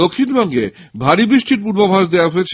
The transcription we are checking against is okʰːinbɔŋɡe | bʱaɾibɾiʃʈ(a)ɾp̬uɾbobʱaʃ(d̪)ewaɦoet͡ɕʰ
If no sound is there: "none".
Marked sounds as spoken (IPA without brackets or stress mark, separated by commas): i, d̪